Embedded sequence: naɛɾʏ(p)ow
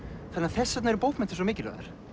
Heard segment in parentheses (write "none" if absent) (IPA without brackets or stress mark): p